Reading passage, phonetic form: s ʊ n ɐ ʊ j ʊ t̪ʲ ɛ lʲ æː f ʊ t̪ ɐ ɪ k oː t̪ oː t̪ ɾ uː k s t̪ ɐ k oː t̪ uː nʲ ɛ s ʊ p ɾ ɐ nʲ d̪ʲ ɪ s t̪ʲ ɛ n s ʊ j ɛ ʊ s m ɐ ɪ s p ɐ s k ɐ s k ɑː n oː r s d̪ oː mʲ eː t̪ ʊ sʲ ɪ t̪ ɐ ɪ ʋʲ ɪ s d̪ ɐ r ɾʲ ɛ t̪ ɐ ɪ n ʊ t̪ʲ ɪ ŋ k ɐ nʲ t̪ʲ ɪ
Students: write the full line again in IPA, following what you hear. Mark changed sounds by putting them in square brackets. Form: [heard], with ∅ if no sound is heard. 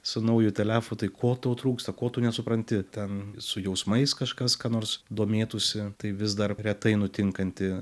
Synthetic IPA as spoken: s ʊ n ɐ ʊ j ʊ t̪ʲ ɛ lʲ æː f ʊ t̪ ɐ ɪ k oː t̪ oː t̪ ɾ uː k s t̪ ɐ k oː t̪ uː nʲ ɛ s ʊ p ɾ ɐ nʲ [t̪ʲ] ɪ [∅] t̪ʲ ɛ n s ʊ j ɛ ʊ s m ɐ ɪ s [k] ɐ [ʃ] k ɐ s k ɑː n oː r s d̪ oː mʲ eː t̪ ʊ sʲ ɪ t̪ ɐ ɪ ʋʲ ɪ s d̪ ɐ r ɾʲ ɛ t̪ ɐ ɪ n ʊ t̪ʲ ɪ ŋ k ɐ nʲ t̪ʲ ɪ